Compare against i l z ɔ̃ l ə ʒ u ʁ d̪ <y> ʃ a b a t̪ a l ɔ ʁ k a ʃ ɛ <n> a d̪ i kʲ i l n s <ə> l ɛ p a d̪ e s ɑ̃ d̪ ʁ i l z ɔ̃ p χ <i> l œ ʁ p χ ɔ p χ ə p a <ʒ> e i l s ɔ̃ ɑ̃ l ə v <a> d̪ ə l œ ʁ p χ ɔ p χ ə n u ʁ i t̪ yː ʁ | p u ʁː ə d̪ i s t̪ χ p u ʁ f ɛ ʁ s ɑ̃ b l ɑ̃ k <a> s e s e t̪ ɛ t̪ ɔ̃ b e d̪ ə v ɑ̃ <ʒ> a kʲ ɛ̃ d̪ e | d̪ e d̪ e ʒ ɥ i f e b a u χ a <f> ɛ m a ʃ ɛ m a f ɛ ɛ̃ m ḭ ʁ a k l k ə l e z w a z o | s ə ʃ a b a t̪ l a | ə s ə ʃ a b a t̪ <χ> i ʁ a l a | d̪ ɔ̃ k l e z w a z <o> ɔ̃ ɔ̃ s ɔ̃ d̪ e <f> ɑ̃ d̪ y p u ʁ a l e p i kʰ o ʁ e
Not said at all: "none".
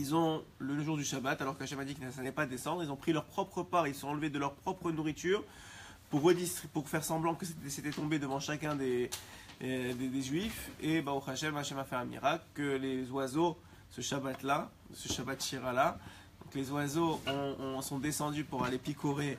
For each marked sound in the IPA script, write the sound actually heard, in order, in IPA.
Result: y, m, a, i, ʁ, e, ə, ʃ, ʃ, ʃ, o, s

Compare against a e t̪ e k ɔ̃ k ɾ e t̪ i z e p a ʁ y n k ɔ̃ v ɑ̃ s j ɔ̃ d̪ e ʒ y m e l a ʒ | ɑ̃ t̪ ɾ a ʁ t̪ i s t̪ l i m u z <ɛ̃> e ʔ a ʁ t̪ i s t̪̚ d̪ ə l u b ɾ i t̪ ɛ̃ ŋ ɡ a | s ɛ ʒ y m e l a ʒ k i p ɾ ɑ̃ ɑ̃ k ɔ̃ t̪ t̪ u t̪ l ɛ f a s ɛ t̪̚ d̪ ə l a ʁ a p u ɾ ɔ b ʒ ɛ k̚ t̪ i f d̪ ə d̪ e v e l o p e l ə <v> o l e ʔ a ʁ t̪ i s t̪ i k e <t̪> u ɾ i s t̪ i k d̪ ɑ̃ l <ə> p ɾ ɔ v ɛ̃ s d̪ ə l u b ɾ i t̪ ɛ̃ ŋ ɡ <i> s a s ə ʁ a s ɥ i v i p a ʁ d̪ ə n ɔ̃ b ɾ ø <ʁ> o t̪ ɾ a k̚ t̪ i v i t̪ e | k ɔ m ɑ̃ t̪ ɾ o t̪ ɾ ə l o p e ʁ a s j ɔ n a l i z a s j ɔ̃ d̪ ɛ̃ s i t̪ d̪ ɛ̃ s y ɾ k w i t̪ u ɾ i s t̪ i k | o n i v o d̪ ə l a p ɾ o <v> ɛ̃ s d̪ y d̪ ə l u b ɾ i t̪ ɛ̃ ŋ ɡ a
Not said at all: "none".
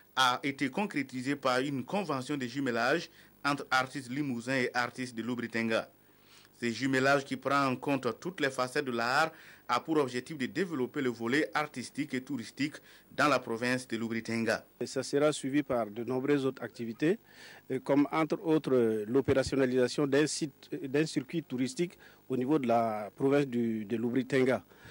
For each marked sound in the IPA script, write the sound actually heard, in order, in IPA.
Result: ɛ̃, v, t̪, a, a, z, v

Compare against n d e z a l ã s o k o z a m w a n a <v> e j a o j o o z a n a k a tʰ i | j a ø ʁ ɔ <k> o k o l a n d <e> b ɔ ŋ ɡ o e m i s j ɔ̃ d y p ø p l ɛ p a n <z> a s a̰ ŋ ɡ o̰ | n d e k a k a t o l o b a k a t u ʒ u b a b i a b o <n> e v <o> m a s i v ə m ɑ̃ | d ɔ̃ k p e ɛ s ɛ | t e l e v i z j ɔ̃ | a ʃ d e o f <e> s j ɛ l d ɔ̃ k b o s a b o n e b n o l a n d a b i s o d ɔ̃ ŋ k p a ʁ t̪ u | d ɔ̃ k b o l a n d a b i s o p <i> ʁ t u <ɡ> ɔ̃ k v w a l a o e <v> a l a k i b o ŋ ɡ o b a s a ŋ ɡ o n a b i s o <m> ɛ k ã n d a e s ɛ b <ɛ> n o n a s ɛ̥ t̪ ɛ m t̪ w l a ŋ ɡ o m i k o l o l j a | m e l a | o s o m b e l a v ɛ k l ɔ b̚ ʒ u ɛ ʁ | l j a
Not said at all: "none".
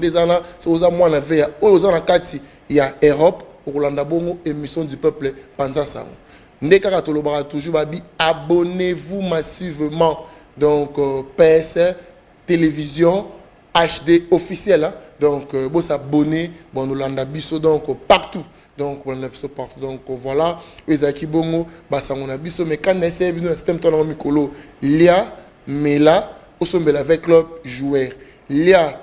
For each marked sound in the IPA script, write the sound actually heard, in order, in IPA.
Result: v, p, a, z, n, u, i, a, d, z, m, i

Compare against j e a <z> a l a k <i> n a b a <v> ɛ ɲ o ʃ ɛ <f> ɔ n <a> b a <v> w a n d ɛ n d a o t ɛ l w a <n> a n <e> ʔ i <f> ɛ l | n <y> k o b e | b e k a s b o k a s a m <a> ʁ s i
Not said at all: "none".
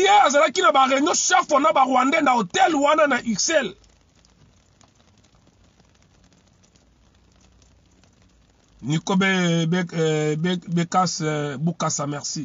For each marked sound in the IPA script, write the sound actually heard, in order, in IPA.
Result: z, i, ʁ, f, a, ʁ, n, a, s, i, ɛ

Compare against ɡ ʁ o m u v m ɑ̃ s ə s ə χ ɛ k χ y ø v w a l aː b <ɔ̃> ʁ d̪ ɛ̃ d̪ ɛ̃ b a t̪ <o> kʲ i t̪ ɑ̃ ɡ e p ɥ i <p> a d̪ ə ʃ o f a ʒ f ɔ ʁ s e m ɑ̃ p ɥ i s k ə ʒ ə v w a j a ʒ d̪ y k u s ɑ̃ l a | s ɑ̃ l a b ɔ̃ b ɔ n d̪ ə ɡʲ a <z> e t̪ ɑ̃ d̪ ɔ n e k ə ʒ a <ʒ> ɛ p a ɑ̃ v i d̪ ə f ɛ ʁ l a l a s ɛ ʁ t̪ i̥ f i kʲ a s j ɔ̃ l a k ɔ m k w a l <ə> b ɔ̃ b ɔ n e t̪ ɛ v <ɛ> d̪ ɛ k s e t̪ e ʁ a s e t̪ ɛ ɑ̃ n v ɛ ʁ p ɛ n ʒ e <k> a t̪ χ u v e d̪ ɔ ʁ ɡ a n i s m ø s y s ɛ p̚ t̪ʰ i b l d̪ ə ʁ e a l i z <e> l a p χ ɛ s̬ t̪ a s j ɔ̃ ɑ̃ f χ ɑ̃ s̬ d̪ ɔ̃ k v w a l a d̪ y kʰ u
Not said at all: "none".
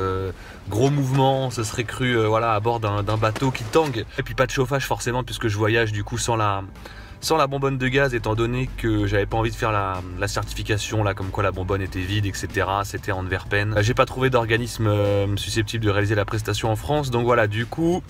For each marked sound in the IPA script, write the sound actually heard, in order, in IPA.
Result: ɔ, o, p, z, v, a, i, p, e

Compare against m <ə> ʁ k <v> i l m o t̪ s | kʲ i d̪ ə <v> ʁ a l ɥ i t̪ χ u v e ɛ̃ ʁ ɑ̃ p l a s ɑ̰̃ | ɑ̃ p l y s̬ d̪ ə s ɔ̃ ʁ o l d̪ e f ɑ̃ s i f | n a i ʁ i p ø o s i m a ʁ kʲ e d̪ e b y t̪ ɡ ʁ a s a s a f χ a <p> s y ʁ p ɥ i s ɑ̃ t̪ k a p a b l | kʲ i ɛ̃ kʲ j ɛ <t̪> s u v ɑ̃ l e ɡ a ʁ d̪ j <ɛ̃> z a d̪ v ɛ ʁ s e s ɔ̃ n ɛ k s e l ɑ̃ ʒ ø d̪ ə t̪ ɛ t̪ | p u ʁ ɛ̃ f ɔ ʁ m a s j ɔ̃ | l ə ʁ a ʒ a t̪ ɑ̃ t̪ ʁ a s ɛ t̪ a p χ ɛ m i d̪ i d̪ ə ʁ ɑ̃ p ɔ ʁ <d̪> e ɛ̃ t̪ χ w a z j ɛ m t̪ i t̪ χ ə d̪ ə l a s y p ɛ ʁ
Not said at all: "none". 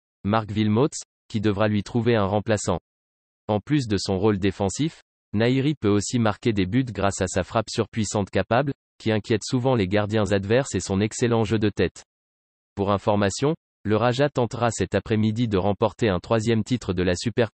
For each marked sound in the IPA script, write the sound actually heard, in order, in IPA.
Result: a, v, v, p, t̪, ɛ̃, t̪

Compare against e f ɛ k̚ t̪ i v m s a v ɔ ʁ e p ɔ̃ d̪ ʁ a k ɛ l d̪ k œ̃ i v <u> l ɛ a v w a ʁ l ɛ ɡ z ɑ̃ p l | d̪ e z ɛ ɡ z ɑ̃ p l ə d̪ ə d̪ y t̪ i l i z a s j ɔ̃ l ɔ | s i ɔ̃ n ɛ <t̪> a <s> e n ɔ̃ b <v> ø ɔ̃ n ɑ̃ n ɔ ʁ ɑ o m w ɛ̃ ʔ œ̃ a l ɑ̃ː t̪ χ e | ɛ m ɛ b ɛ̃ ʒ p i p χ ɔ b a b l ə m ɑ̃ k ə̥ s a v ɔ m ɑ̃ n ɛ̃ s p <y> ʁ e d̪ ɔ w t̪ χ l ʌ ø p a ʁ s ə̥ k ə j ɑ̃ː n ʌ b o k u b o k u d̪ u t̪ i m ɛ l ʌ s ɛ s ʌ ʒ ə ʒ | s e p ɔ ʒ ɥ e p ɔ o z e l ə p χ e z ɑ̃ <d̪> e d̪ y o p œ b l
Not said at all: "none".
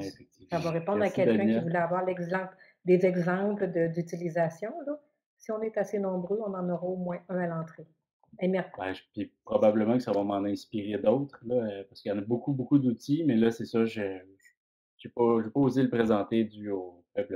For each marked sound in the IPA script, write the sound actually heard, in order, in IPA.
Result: u, t̪, s, ʁ, i, t̪

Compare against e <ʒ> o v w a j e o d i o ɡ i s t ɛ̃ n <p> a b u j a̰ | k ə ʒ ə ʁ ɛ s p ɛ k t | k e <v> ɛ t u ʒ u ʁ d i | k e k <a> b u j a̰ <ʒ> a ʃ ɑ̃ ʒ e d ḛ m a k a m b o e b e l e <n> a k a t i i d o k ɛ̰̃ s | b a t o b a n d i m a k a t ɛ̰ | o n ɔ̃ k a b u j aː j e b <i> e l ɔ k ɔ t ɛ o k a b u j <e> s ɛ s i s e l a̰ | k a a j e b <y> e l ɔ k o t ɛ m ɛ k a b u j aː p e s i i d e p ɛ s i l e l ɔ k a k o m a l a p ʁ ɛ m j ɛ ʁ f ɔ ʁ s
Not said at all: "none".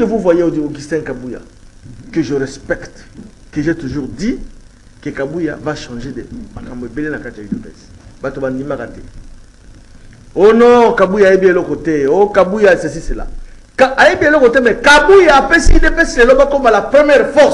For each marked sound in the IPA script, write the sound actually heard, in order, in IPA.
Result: v, k, ʒ, a, v, n, i, a, i

